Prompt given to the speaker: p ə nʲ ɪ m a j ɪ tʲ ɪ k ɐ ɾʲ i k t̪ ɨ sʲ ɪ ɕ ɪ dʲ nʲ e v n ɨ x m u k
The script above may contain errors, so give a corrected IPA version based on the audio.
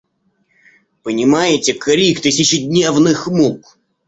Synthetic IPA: p ə nʲ ɪ m a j ɪ tʲ ɪ k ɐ ɾʲ i k t̪ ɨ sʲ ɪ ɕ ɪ dʲ nʲ e v n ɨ x m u k